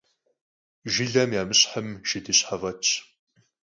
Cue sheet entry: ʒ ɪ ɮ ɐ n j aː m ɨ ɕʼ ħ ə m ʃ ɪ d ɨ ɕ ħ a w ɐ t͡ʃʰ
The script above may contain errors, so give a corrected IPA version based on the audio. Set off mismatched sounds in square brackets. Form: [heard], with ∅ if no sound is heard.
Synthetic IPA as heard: ʒ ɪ ɮ ɐ [m] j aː m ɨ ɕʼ ħ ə m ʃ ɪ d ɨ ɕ ħ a [v] ɐ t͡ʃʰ